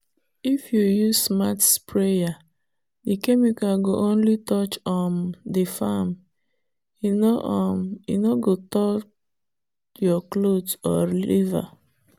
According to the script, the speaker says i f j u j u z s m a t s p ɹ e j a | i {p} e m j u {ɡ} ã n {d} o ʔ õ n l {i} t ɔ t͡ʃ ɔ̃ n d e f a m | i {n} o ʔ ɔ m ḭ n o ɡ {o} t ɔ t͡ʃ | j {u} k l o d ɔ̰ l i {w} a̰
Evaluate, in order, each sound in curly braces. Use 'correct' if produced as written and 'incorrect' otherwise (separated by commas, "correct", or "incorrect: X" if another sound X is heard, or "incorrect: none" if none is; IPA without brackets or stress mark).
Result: incorrect: k, incorrect: k, incorrect: ɡ, correct, correct, correct, incorrect: ɔ, incorrect: v